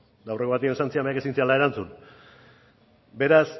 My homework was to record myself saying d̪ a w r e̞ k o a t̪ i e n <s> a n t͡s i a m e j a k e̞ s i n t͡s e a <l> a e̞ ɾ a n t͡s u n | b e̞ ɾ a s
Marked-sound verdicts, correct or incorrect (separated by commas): correct, correct